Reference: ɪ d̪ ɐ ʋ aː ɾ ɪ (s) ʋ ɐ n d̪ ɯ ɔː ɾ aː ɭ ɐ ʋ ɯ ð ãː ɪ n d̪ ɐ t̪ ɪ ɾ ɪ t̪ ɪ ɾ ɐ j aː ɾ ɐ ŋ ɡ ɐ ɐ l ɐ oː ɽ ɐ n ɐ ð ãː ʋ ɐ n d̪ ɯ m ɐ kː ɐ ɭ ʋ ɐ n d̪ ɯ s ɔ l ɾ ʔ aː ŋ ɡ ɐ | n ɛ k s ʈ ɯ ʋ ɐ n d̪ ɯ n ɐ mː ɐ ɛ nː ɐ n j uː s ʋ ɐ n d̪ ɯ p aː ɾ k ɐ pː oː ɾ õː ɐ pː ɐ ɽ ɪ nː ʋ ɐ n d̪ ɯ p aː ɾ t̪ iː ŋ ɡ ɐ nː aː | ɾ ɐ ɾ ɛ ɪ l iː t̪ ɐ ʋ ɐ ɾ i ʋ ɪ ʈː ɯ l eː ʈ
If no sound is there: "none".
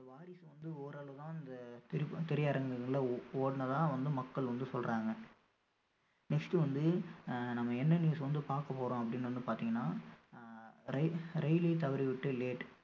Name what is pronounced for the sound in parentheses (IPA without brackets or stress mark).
s